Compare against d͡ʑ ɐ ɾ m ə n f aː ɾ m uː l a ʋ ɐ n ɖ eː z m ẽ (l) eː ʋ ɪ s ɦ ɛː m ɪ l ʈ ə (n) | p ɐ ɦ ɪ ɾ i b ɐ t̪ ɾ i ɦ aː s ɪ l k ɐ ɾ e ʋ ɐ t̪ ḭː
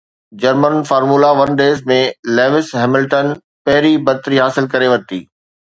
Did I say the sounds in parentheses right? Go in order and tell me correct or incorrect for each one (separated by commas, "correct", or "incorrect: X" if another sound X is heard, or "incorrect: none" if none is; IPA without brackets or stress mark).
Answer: correct, correct